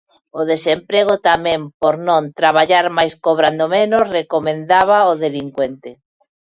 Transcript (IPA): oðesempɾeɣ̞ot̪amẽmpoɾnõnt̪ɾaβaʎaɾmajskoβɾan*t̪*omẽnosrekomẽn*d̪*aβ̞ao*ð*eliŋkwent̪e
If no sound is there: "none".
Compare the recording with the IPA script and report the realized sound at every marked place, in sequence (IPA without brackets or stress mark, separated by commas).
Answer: d̪, d̪, ð